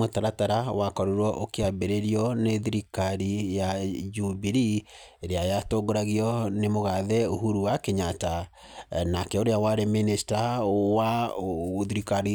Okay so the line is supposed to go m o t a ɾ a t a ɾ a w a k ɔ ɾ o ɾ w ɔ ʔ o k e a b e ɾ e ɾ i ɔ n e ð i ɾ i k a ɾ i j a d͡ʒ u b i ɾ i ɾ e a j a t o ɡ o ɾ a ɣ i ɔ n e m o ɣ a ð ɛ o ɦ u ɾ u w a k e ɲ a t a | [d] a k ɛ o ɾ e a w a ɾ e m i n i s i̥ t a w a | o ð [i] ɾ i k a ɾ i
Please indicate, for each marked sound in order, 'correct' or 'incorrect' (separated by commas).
incorrect, correct